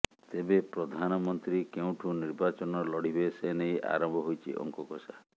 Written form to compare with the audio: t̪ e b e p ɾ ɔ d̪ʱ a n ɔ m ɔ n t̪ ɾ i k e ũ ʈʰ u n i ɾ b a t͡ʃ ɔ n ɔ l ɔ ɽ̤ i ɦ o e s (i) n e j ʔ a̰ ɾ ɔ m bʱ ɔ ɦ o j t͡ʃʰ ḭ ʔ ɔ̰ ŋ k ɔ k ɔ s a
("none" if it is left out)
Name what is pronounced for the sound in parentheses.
e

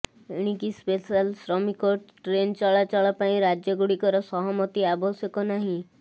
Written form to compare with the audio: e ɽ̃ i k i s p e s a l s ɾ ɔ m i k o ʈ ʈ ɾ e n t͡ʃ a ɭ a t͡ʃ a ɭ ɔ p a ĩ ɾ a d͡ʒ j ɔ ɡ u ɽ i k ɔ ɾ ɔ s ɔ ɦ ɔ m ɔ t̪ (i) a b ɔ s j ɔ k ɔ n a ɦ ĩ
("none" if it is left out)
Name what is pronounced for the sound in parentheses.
i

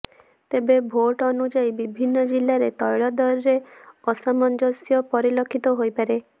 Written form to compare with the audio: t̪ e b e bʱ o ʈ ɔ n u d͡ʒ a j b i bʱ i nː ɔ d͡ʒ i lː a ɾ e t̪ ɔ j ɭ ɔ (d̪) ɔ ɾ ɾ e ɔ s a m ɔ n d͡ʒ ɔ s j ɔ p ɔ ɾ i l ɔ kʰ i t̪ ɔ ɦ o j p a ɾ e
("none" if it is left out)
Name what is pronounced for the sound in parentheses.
d̪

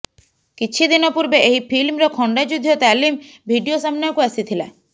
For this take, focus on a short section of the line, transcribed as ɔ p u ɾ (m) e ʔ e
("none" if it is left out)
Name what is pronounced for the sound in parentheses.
b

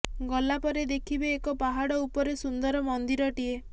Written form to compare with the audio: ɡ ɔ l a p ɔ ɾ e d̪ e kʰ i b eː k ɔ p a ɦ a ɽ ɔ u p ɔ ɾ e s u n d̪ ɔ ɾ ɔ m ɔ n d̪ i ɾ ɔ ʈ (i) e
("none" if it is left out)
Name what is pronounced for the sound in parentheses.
i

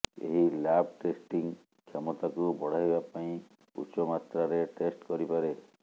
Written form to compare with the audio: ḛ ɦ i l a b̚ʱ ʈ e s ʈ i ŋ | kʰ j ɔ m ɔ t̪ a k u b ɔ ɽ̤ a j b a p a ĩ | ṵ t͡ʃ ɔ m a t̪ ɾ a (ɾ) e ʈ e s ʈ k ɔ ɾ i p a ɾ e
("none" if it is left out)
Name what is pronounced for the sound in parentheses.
ɾ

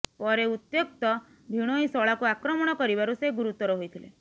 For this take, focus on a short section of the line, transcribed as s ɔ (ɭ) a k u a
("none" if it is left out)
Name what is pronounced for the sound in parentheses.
ɭ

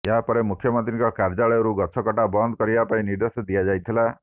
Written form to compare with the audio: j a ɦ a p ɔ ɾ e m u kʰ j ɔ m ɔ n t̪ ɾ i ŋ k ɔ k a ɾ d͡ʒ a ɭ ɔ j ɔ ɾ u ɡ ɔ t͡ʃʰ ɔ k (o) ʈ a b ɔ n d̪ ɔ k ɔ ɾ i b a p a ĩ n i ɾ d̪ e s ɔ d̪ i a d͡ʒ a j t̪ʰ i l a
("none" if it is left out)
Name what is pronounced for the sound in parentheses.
ɔ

